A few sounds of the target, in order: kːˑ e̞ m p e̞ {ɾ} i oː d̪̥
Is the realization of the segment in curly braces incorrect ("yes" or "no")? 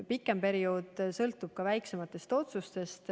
no